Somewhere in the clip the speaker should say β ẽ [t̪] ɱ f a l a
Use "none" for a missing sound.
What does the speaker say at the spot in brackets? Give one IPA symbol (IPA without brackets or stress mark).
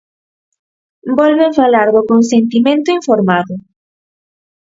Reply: none